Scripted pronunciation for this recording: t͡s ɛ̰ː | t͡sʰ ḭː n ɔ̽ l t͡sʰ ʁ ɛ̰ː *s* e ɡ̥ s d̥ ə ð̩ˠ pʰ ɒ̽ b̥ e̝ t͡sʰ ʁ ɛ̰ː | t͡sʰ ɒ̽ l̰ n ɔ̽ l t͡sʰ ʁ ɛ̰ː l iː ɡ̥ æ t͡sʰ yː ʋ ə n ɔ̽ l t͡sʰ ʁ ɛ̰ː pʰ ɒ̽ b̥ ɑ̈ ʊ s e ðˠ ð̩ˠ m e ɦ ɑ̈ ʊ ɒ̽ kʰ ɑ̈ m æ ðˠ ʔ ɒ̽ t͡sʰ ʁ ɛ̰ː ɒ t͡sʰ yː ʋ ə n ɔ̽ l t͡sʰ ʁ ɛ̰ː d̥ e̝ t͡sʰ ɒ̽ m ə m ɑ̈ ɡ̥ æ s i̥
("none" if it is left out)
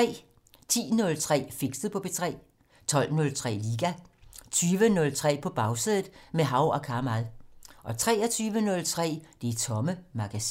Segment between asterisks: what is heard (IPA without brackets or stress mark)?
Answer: f